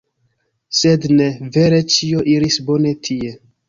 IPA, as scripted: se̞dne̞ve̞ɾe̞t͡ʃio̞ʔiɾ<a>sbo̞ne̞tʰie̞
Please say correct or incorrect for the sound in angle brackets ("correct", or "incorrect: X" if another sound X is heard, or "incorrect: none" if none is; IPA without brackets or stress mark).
incorrect: i